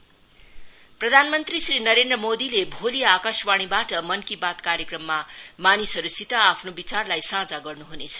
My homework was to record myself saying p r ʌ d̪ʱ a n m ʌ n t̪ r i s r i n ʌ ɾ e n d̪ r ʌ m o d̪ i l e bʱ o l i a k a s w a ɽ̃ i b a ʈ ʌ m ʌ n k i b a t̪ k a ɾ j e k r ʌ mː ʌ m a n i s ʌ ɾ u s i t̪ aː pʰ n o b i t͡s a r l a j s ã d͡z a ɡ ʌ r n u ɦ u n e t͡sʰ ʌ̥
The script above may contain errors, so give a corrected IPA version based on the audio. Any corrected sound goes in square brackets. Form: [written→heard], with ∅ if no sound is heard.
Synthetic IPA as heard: p r ʌ d̪ʱ a n m ʌ n t̪ r i s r i n ʌ ɾ e n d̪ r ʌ m o d̪ i l e bʱ o l i a k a s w a ɽ̃ i b a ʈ ʌ m ʌ n k i b a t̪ k a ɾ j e k r ʌ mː [ʌ→a] m a n i s ʌ ɾ u s i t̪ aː pʰ n o b i t͡s a r l a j s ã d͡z a ɡ ʌ r n u ɦ u n e t͡sʰ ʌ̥

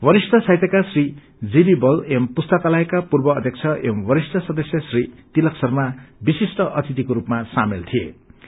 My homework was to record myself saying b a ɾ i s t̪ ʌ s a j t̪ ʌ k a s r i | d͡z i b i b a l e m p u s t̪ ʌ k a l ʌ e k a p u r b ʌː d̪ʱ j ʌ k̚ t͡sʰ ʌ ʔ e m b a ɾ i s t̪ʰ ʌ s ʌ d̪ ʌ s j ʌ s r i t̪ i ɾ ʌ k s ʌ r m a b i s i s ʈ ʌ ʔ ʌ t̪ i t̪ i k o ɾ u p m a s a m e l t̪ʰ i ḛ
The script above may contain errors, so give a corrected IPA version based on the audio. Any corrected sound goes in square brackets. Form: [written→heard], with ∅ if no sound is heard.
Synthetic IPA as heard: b [a→ʌ] ɾ i s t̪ ʌ s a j t̪ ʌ k a s r i | d͡z i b i b [a→ʌ] l e m p u s t̪ ʌ k a l [ʌ→a] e k a p u r b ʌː d̪ʱ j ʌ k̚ t͡sʰ ʌ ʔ e m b [a→ʌ] ɾ i s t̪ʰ ʌ s ʌ d̪ ʌ s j ʌ s r i t̪ i [ɾ→l] ʌ k s ʌ r m a b i s i s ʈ ʌ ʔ ʌ t̪ i t̪ i k o ɾ u p m a s a m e l t̪ʰ i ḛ

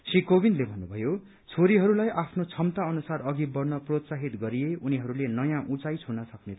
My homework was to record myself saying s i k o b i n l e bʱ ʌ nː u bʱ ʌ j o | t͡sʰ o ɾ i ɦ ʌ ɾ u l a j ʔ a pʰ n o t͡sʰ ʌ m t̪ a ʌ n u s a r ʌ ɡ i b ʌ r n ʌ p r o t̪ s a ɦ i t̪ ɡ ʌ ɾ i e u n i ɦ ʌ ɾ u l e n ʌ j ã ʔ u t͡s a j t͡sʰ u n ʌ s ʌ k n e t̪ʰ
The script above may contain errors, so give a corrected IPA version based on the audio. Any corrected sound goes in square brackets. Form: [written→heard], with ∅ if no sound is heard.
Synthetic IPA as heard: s i k o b i n l e bʱ ʌ nː u bʱ ʌ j o | t͡sʰ o ɾ i ɦ ʌ ɾ u l a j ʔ a pʰ n o t͡sʰ ʌ m t̪ a ʌ n u s a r ʌ ɡ i b ʌ r n ʌ p r o t̪ s a ɦ i t̪ ɡ ʌ ɾ i e u n i ɦ ʌ ɾ u l e n ʌ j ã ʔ u t͡s a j t͡sʰ u n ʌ s ʌ k n e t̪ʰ

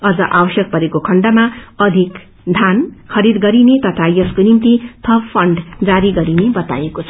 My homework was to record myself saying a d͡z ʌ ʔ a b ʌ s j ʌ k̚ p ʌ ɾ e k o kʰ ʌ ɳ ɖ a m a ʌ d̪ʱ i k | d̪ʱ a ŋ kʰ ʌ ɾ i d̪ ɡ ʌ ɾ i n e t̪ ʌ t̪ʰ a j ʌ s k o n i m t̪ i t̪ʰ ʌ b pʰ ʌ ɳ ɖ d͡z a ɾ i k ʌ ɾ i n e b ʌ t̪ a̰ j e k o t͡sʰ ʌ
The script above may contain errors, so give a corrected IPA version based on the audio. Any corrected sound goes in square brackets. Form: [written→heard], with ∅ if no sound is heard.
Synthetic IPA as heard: [a→ʌ] d͡z ʌ ʔ a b ʌ s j ʌ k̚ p ʌ ɾ e k o kʰ ʌ ɳ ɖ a m a ʌ d̪ʱ i k | d̪ʱ a [ŋ→n] kʰ ʌ ɾ i d̪ ɡ ʌ ɾ i n e t̪ ʌ t̪ʰ a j ʌ s k o n i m t̪ i t̪ʰ ʌ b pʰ ʌ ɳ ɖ d͡z a ɾ i [k→ɡ] ʌ ɾ i n e b ʌ t̪ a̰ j e k o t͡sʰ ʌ

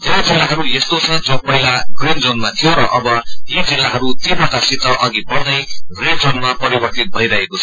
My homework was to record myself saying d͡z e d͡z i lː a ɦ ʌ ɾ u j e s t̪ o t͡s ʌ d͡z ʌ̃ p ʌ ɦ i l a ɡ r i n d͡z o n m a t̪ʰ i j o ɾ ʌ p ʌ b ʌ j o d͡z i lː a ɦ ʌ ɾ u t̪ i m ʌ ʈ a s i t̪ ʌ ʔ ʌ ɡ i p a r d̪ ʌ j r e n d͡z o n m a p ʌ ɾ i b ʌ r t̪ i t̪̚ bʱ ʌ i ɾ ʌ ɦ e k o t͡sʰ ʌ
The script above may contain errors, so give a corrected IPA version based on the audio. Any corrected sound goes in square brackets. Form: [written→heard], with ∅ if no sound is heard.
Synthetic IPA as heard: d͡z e d͡z i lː a ɦ ʌ ɾ u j e s t̪ o [t͡s→t͡sʰ] ʌ d͡z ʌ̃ p ʌ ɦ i l a ɡ r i n d͡z o n m a t̪ʰ i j o ɾ ʌ [p→ʔ] ʌ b ʌ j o d͡z i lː a ɦ ʌ ɾ u t̪ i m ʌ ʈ a s i t̪ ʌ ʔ ʌ ɡ i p [a→ʌ] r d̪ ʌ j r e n d͡z o n m a p ʌ ɾ i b ʌ r t̪ i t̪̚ bʱ ʌ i ɾ ʌ ɦ e k o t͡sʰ ʌ

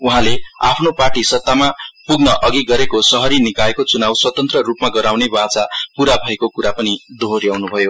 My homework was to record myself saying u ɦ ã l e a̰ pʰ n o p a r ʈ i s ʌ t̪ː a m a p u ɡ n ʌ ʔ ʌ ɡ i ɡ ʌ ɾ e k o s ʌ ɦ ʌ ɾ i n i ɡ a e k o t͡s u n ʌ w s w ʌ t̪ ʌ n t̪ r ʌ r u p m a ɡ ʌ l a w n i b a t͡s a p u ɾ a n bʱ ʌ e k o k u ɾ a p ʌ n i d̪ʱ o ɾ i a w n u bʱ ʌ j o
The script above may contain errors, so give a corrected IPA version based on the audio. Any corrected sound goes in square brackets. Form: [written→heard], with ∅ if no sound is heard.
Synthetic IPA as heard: u ɦ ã l e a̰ pʰ n o p a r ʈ i s ʌ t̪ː a m a p u ɡ n ʌ ʔ ʌ ɡ i ɡ ʌ ɾ e k o s ʌ ɦ ʌ ɾ i n i [ɡ→k] a e k o t͡s u n [ʌ→a] w s w ʌ t̪ ʌ n t̪ r ʌ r u p m a ɡ ʌ [l→ɾ] a w n [i→e] b a t͡s a p u ɾ a [n→∅] bʱ ʌ e k o k u ɾ a p ʌ n i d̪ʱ o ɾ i a w n u bʱ ʌ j o

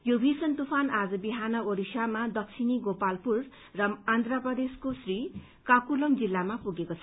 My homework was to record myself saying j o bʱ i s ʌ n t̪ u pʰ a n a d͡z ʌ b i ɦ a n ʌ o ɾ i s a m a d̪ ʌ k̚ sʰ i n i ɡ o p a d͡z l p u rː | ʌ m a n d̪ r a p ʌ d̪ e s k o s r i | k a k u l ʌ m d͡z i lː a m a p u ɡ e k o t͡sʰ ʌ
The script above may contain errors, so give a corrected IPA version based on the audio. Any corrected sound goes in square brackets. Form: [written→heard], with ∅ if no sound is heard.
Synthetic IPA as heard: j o bʱ i s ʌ n t̪ u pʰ a n a d͡z ʌ b i ɦ a n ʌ o ɾ i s a m a d̪ ʌ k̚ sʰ i n i ɡ o p a [d͡z→∅] l p u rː | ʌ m a n d̪ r a p ʌ d̪ e s k o s r i | k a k u l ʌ m d͡z i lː a m a p u ɡ e k o t͡sʰ ʌ

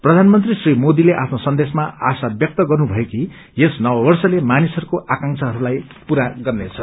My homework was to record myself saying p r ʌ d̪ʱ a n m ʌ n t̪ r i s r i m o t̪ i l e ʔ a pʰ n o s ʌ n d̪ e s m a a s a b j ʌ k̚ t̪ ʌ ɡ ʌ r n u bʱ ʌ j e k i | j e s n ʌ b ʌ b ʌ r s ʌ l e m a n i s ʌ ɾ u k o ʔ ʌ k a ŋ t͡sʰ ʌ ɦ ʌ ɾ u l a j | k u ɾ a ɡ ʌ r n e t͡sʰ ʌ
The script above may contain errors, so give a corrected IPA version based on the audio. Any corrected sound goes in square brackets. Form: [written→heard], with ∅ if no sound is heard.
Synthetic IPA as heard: p r ʌ d̪ʱ a n m ʌ n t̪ r i s r i m o [t̪→d̪] i l e ʔ a pʰ n o s ʌ n d̪ e s m a a s a b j ʌ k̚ t̪ ʌ ɡ ʌ r n u bʱ ʌ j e k i | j e s n ʌ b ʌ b ʌ r s ʌ l e m a n i s ʌ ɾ u k o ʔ [ʌ→a] k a ŋ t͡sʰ ʌ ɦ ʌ ɾ u l a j | [k→p] u ɾ a ɡ ʌ r n e t͡sʰ ʌ

